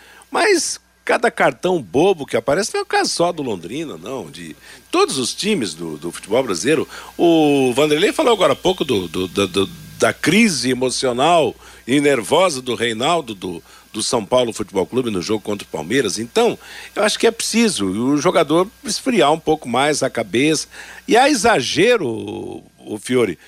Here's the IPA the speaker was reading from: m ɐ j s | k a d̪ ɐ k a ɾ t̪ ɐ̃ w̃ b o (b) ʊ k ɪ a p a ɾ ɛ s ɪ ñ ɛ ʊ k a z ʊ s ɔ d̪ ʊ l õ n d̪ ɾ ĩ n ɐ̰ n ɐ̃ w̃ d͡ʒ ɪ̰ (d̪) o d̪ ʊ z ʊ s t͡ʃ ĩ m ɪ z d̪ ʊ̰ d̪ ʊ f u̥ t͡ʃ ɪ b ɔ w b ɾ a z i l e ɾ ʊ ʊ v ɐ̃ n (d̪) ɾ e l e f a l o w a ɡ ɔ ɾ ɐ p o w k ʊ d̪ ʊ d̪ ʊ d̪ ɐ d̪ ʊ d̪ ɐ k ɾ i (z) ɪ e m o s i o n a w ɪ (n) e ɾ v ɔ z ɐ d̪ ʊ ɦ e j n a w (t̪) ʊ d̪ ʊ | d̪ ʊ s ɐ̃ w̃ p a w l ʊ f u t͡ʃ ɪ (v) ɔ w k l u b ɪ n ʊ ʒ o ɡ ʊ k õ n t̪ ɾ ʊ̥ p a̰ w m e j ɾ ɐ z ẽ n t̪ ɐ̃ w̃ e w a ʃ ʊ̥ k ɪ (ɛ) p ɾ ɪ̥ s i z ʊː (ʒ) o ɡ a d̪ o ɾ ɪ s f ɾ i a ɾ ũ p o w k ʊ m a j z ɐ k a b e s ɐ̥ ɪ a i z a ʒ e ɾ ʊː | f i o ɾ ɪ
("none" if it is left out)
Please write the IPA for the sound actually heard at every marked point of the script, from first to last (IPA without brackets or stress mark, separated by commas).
b, t̪, d̪, z, n, d̪, b, ɛ, ʒ